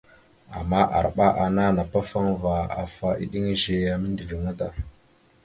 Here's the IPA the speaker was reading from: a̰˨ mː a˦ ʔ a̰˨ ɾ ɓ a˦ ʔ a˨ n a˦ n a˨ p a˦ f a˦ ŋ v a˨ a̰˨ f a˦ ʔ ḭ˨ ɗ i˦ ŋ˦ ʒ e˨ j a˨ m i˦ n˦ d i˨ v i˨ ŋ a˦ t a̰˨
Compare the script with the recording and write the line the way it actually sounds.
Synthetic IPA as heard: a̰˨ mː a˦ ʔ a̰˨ ɾ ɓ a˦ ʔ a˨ n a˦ n a˨ p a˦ f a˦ ŋ v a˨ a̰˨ f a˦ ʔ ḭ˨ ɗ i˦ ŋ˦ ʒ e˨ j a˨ m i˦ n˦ d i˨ v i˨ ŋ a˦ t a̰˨